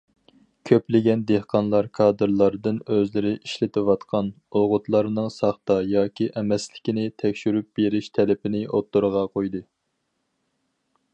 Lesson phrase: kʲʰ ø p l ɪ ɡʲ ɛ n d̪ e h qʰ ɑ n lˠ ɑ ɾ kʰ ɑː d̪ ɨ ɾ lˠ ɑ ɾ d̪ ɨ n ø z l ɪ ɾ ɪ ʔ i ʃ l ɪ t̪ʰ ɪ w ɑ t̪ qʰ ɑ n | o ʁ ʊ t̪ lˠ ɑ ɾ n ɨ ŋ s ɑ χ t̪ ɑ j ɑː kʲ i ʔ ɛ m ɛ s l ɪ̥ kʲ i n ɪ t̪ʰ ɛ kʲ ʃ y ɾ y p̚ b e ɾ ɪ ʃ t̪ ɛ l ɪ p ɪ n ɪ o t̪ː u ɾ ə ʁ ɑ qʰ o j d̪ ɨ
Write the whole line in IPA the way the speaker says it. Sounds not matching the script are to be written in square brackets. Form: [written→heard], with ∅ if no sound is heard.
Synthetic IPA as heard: kʲʰ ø p l ɪ ɡʲ ɛ n d̪ e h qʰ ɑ n lˠ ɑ ɾ kʰ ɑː d̪ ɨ ɾ lˠ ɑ ɾ d̪ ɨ n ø z l ɪ ɾ ɪ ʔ i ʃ l ɪ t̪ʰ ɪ w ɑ t̪ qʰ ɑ n | o ʁ ʊ t̪ lˠ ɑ ɾ n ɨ ŋ s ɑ χ t̪ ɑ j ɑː kʲ i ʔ ɛ m ɛ s l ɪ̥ kʲ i n ɪ t̪ʰ ɛ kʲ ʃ y ɾ y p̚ b e ɾ ɪ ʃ [t̪→t̪ʰ] ɛ l ɪ p ɪ n ɪ o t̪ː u ɾ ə ʁ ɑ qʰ o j d̪ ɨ